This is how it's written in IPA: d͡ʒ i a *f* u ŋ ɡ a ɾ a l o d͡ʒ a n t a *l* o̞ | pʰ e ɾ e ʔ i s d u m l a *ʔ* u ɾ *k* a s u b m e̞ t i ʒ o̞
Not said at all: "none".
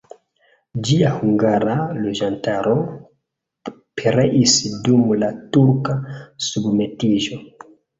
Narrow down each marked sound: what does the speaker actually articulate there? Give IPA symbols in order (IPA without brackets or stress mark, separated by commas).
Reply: h, ɾ, t, k